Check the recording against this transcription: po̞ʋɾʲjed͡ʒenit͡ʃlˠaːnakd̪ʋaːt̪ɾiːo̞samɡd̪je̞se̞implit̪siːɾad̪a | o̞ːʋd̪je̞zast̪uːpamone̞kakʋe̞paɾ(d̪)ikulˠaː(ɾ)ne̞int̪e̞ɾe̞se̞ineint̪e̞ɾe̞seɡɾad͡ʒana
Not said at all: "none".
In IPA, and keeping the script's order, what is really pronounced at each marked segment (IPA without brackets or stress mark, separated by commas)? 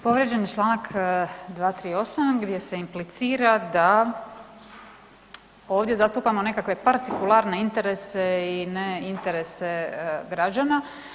t̪, ɾ